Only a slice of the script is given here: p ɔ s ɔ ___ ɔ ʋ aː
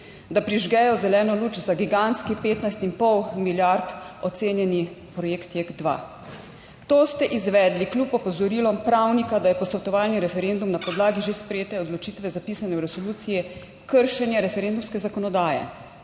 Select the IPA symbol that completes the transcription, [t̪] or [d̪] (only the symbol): t̪